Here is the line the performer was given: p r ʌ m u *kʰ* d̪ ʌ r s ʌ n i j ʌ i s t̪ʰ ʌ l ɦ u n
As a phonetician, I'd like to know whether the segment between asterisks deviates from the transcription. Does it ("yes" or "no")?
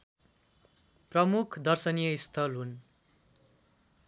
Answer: no